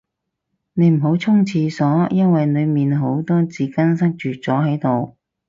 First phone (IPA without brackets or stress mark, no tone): n